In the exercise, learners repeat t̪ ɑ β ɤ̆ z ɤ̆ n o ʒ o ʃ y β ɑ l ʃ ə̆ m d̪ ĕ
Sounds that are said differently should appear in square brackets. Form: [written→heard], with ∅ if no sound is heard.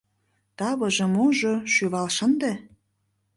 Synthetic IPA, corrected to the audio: t̪ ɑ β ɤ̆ [z→ʒ] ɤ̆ [n→m] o ʒ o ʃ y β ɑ l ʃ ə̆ [m→n] d̪ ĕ